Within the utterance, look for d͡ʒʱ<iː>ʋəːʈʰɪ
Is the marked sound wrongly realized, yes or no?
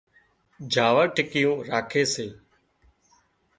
yes